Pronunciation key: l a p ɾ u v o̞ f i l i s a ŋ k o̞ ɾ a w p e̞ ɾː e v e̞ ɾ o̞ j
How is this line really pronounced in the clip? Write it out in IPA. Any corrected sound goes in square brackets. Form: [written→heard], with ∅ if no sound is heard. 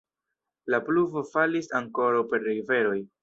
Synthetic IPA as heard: l a p [ɾ→l] u v o̞ f [i→a] l i s a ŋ k o̞ ɾ a w p e̞ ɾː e v e̞ ɾ o̞ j